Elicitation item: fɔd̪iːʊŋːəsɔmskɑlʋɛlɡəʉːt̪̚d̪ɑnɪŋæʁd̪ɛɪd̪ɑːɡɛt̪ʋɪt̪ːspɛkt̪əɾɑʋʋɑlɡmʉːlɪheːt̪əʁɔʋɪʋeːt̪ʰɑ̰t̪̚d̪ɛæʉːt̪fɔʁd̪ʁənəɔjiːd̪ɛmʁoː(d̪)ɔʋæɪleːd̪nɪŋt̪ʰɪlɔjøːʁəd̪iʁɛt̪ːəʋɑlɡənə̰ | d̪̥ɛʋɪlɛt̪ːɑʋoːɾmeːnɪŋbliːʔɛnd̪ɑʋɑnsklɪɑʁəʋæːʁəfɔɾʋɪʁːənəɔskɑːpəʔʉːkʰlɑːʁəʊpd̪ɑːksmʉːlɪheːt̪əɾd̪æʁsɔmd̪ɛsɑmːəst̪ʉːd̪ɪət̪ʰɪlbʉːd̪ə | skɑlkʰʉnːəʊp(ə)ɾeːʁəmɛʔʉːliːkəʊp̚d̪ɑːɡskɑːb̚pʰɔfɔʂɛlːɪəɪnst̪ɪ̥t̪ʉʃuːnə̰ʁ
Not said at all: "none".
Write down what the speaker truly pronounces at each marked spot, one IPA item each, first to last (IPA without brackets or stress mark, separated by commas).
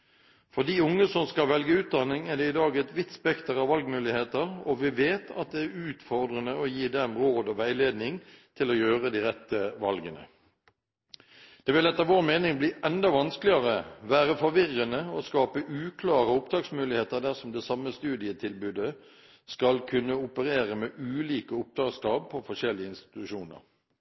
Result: d̪, ə